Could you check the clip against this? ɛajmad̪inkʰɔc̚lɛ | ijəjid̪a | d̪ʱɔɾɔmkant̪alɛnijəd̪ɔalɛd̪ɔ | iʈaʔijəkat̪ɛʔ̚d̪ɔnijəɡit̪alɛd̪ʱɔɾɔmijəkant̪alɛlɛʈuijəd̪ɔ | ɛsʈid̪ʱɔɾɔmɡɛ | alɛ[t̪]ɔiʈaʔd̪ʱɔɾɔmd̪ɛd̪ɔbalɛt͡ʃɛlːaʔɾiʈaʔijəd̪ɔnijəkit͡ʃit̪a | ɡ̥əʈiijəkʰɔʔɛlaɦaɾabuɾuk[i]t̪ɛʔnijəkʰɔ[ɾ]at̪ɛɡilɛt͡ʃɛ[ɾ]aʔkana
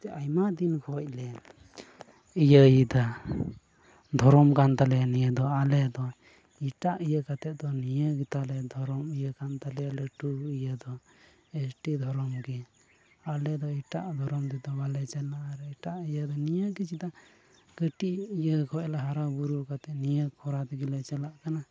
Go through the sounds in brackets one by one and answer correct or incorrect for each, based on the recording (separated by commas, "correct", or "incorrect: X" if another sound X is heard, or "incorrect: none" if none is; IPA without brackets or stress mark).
incorrect: d̪, incorrect: a, correct, incorrect: l